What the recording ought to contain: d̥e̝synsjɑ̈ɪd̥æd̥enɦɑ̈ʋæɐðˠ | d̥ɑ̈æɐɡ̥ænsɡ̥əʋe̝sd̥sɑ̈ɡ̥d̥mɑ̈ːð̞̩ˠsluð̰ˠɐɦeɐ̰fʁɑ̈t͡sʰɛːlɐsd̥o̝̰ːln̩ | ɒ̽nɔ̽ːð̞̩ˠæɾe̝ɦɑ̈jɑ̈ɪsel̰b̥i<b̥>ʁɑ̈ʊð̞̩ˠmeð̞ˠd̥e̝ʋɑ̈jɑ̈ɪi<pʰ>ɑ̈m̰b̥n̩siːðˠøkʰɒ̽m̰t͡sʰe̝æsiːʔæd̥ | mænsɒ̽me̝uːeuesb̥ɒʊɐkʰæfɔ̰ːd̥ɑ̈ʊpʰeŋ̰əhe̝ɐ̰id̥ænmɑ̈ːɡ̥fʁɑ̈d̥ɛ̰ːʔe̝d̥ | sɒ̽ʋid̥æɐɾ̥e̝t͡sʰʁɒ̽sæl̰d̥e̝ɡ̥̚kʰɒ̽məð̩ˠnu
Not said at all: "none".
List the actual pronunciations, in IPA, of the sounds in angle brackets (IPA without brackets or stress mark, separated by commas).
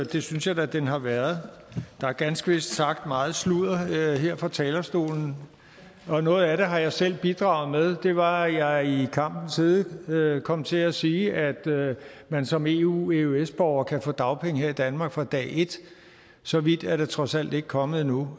d̥, kʰ